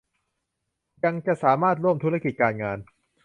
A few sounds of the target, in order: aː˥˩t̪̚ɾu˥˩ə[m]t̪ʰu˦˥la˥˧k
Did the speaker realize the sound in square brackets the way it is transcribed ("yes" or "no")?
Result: yes